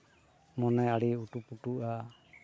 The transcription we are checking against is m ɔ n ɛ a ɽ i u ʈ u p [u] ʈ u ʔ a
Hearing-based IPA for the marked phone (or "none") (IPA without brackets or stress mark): u